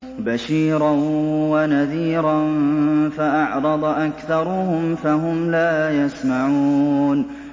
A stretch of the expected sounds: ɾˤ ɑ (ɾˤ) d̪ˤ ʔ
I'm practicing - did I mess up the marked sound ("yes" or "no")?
yes